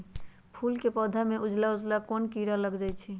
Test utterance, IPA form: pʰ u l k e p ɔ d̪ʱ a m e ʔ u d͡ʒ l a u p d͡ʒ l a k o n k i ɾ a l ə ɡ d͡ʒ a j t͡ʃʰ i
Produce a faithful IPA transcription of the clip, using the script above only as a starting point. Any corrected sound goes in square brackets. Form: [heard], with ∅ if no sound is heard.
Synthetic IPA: pʰ u l k e p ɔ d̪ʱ a m e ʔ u d͡ʒ l a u [∅] d͡ʒ l a k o n k i ɾ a l ə ɡ d͡ʒ a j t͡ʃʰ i

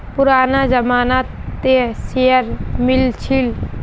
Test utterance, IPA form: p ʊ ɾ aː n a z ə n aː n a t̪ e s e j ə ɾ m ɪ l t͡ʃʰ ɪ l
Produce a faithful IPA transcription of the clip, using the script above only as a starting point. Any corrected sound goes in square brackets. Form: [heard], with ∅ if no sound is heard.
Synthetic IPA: p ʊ ɾ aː n a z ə [m] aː n a t̪ e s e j ə ɾ m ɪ l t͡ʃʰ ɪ l

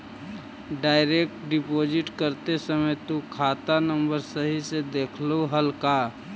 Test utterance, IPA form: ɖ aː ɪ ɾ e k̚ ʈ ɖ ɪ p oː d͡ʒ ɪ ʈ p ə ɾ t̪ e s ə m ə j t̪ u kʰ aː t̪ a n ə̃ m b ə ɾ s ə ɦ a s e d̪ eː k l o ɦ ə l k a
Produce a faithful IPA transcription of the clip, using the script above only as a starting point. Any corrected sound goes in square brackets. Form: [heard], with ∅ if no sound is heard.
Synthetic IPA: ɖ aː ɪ ɾ e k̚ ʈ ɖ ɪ p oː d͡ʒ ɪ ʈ [k] ə ɾ t̪ e s ə m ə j t̪ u kʰ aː t̪ a n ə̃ m b ə ɾ s ə ɦ [i] s e d̪ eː [kʰ] l o ɦ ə l k a

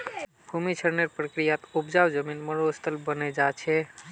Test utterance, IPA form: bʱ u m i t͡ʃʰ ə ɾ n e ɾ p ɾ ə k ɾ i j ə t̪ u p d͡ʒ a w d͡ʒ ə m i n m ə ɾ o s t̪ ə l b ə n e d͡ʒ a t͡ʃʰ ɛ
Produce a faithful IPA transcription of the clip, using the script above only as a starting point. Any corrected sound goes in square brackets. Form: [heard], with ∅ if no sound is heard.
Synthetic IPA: bʱ u m i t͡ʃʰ ə ɾ n e ɾ p ɾ ə k ɾ i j [a] t̪ u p d͡ʒ a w d͡ʒ ə m i n m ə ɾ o s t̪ ə l b ə n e d͡ʒ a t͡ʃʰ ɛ

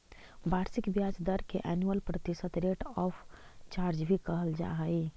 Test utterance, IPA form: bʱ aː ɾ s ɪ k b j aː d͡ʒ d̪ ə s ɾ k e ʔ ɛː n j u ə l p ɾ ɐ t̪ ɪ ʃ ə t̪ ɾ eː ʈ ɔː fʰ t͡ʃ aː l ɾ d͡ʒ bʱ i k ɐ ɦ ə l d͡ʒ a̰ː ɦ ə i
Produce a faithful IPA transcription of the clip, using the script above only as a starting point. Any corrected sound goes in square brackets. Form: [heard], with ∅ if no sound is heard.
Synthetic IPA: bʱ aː ɾ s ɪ k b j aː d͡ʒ d̪ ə [∅] ɾ k e ʔ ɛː n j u ə l p ɾ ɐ t̪ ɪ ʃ ə t̪ ɾ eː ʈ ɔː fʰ t͡ʃ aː [∅] ɾ d͡ʒ bʱ i k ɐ ɦ ə l d͡ʒ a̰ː ɦ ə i

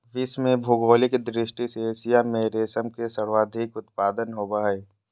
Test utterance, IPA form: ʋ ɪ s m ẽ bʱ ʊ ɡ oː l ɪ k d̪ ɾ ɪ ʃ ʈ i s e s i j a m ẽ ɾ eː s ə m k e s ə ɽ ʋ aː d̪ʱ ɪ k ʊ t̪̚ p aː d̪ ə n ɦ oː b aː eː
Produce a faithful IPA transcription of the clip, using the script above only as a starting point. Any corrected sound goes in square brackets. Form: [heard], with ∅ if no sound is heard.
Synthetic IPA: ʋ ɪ s m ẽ bʱ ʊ ɡ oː l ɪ k d̪ ɾ ɪ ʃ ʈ i s e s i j a m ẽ ɾ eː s ə m k e s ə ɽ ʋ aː d̪ʱ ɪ k ʊ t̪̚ p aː d̪ ə n ɦ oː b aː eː

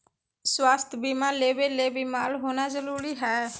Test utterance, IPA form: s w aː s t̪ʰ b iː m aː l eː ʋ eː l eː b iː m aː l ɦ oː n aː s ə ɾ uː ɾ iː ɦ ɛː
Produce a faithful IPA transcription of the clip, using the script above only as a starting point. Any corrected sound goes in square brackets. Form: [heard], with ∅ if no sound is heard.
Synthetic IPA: s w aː s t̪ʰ b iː m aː l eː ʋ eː l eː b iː m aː l ɦ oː n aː [z] ə ɾ uː ɾ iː ɦ ɛː

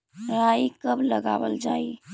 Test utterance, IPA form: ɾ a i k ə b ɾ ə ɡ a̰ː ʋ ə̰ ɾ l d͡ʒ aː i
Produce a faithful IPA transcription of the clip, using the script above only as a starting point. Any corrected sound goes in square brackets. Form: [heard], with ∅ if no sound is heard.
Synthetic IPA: ɾ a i k ə b [l] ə ɡ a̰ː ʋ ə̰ [∅] l d͡ʒ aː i

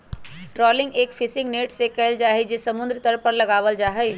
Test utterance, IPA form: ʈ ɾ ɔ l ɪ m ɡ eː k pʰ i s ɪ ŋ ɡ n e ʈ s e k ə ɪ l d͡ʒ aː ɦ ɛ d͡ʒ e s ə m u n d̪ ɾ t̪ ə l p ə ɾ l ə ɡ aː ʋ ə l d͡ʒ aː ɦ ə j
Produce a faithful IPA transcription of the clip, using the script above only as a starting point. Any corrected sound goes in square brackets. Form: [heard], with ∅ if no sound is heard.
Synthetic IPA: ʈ ɾ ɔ l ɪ [ŋ] ɡ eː k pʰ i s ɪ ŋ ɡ n e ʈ s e k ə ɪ l d͡ʒ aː ɦ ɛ d͡ʒ e s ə m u n d̪ ɾ t̪ ə [ɾ] p ə ɾ l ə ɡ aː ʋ ə l d͡ʒ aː ɦ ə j

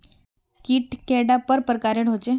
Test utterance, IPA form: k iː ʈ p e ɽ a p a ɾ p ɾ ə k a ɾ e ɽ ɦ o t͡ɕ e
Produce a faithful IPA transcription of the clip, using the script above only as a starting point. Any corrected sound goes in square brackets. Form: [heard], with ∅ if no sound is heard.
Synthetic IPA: k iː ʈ [k] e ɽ a p [ə] ɾ p ɾ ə k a ɾ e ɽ ɦ o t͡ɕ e

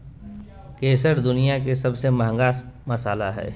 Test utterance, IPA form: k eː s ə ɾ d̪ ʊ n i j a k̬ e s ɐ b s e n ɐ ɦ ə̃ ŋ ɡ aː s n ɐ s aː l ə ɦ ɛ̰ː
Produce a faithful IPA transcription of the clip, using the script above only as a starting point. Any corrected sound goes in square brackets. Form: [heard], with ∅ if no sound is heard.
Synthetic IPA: k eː s ə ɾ d̪ ʊ n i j a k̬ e s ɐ b s e [m] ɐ ɦ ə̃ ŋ ɡ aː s [m] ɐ s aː l [a] ɦ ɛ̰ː

